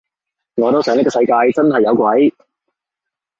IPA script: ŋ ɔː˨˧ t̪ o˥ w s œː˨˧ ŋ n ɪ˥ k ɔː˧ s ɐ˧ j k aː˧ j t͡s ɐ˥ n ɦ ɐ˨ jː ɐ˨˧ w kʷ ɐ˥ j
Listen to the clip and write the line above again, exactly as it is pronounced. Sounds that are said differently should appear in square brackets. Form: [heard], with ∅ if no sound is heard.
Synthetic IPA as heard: ŋ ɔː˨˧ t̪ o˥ w s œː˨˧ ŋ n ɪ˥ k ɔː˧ s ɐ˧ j k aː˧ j t͡s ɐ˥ n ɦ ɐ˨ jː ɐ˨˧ w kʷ [ɐ˨˥] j